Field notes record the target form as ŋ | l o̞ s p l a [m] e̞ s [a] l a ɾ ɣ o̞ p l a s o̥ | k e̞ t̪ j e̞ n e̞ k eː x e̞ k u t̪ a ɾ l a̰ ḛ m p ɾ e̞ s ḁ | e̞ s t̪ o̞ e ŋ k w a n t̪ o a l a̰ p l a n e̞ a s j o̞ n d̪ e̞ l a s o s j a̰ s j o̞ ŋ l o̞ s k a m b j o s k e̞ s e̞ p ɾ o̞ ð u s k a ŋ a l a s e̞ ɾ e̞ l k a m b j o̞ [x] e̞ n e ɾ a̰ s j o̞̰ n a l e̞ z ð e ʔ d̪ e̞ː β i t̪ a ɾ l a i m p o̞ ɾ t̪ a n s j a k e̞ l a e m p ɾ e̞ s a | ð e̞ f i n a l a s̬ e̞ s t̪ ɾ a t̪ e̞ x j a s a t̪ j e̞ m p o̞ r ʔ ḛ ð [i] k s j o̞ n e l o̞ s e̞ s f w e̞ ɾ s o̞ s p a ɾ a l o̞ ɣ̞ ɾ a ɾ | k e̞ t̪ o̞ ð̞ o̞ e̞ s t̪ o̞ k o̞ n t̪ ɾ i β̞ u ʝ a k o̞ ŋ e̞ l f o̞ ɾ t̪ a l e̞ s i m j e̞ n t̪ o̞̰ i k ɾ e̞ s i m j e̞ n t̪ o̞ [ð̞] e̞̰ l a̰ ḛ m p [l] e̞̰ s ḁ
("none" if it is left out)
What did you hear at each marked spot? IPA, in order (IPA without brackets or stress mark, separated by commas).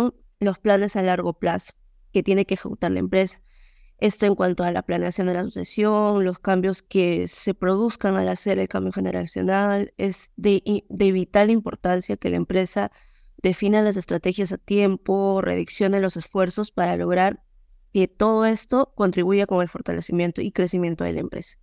n, a, x, i, ð̞, ɾ